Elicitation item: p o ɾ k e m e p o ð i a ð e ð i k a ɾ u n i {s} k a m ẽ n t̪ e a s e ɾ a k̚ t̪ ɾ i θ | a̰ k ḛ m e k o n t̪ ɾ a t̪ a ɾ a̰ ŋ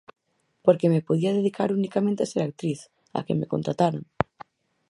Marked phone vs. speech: incorrect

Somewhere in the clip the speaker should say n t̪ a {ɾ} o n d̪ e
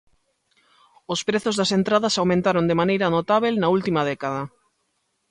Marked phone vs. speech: correct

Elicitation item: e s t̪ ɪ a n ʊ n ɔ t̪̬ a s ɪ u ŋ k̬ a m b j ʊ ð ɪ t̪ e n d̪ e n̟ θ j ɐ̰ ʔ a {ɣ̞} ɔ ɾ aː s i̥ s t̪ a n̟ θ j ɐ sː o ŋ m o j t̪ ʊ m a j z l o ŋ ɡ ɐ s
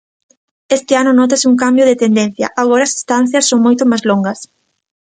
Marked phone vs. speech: correct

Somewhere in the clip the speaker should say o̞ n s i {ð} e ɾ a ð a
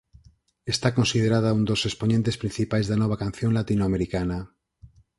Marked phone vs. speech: correct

